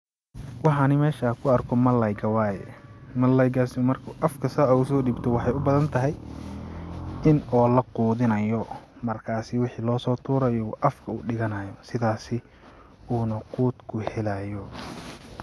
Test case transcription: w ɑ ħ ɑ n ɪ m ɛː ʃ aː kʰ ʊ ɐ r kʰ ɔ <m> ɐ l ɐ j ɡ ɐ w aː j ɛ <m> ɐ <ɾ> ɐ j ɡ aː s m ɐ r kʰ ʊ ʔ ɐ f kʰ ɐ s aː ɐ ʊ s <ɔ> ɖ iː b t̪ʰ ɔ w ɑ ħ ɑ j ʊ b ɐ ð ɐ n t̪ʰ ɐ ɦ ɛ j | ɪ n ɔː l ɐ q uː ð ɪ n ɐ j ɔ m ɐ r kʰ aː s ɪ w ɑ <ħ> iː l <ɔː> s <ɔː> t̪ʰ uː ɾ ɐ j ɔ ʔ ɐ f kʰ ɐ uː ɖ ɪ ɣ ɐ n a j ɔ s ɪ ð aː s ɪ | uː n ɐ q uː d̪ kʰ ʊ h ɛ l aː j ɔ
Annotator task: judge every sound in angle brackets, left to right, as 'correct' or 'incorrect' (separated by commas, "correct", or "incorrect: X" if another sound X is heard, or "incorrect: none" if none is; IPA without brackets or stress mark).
correct, correct, incorrect: l, incorrect: ɔː, correct, correct, correct